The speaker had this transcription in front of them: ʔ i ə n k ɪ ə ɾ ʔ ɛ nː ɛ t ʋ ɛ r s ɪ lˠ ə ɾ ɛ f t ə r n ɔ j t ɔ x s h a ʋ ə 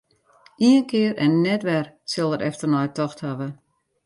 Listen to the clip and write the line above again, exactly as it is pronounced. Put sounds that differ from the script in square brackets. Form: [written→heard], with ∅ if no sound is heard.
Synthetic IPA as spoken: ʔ i ə n k ɪ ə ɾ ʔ ɛ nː ɛ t ʋ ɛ r s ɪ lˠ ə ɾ ɛ f t ə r n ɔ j t ɔ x [s→t] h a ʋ ə